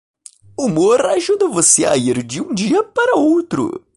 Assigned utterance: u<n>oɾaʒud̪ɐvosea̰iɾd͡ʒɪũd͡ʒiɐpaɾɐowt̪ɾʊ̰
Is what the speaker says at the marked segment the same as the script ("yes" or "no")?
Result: no